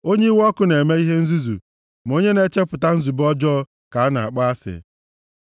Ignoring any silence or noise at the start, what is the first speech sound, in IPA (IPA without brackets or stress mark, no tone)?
o